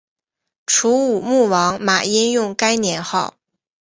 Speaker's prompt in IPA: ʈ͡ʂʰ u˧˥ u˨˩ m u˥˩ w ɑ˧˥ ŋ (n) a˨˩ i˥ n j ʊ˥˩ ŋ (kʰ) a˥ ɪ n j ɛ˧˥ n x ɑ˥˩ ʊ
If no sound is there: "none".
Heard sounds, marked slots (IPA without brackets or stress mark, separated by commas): m, k